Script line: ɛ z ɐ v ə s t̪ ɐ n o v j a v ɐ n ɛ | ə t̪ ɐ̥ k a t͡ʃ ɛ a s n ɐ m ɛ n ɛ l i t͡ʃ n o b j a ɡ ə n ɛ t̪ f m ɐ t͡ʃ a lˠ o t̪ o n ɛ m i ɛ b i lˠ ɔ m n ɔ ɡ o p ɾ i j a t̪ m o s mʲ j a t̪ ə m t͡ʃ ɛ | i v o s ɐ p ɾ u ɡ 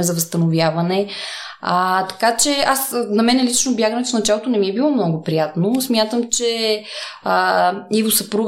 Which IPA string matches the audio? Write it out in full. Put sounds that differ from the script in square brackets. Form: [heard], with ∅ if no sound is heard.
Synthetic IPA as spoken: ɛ z ɐ v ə s t̪ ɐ n o v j a v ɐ n ɛ | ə t̪ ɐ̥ k a t͡ʃ ɛ a s n ɐ m ɛ n ɛ l i t͡ʃ n o b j a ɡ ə n ɛ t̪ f [n] ɐ t͡ʃ a lˠ o t̪ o n ɛ m i ɛ b i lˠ ɔ m n ɔ ɡ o p ɾ i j a t̪ [n] o s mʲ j a t̪ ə m t͡ʃ ɛ | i v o s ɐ p ɾ u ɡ